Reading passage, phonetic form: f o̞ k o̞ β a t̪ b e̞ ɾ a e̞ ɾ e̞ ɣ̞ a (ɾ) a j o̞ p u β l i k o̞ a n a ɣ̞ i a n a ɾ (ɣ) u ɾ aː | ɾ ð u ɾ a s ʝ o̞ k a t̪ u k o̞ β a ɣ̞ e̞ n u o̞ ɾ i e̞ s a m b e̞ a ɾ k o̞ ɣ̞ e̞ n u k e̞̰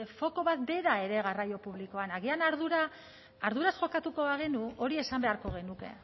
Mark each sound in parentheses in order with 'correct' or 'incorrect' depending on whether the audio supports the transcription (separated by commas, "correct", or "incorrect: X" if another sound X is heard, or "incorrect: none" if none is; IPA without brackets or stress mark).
incorrect: r, incorrect: ð